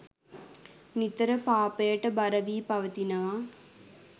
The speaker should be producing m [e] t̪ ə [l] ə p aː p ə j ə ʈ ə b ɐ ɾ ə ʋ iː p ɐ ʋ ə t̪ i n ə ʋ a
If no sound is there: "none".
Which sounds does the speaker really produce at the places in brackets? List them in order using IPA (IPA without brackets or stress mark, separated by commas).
i, ɾ